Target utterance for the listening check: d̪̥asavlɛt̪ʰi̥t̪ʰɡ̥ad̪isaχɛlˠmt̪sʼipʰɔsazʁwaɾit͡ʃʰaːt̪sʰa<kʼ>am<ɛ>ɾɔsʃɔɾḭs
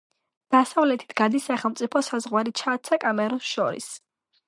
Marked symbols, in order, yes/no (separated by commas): yes, yes